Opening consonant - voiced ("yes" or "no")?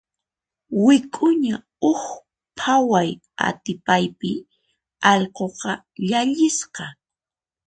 yes